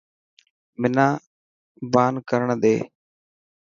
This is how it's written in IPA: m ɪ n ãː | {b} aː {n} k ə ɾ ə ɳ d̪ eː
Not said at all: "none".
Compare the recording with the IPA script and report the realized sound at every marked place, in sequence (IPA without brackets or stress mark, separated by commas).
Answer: b, n